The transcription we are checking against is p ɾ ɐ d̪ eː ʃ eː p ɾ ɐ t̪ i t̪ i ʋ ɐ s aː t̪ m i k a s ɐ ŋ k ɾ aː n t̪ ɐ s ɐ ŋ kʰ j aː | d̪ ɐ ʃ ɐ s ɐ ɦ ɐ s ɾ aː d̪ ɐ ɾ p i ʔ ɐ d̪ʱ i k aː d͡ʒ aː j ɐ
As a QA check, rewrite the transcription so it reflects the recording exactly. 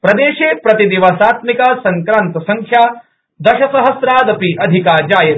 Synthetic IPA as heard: p ɾ ɐ d̪ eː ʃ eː p ɾ ɐ t̪ i d̪ i ʋ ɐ s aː t̪ m i k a s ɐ ŋ k ɾ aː n t̪ ɐ s ɐ ŋ kʰ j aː | d̪ ɐ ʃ ɐ s ɐ ɦ ɐ s ɾ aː d̪ ɐ p i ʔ ɐ d̪ʱ i k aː d͡ʒ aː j ɐ